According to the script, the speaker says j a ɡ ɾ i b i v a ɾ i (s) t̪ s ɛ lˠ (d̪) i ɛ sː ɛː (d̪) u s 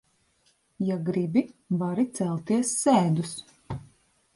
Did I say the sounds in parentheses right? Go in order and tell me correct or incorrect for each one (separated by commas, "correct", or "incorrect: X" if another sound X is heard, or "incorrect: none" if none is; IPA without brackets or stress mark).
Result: incorrect: none, incorrect: t̪, correct